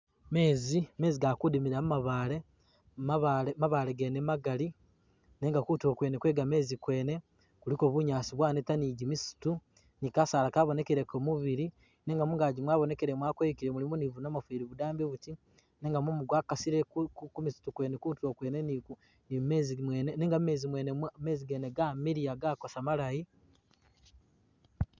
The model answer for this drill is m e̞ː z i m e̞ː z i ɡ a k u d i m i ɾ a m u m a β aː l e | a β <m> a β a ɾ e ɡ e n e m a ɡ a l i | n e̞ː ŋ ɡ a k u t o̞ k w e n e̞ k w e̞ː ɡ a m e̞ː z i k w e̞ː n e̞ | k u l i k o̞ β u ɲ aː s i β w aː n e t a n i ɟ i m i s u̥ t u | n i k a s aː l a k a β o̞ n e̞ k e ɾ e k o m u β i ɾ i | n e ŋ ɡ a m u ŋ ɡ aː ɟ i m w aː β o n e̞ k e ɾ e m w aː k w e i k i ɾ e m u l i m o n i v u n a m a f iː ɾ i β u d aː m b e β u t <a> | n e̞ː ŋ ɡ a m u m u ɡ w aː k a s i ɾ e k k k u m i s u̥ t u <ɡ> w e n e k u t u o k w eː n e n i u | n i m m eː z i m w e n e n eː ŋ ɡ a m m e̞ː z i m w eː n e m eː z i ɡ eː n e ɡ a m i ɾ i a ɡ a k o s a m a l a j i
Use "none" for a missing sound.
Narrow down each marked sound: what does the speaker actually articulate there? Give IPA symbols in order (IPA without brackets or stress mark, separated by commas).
m, i, k